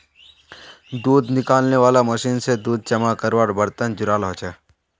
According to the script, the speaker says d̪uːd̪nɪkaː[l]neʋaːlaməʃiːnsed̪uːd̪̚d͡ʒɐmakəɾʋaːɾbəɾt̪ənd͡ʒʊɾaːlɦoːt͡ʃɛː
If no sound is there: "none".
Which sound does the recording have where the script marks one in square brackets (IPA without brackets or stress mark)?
l